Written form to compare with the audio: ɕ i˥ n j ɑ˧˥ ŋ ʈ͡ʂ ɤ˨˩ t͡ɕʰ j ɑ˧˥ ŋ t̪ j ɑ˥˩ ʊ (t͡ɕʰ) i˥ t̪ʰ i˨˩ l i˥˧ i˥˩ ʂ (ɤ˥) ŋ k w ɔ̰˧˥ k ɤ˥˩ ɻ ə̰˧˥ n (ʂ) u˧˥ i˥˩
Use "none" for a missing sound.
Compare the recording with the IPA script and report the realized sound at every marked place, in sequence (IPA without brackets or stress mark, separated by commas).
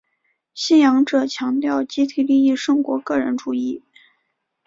t͡ɕ, ɤ˥, ʈ͡ʂ